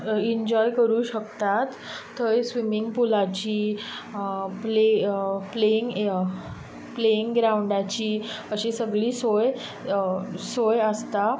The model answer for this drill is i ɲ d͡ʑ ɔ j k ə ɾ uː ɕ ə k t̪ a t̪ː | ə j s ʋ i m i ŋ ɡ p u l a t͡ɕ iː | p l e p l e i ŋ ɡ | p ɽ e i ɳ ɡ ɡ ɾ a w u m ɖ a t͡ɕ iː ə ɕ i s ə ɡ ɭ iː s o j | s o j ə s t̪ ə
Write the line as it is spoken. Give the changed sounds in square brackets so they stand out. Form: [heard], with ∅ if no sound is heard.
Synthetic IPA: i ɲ d͡ʑ ɔ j k ə ɾ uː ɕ ə k t̪ a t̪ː | ə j s ʋ i m i ŋ ɡ p u l a t͡ɕ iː | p l e p l e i ŋ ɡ | p [l] e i [ŋ] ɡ ɡ ɾ a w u [ɳ] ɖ a t͡ɕ iː ə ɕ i s ə ɡ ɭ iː s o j | s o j ə s t̪ [a]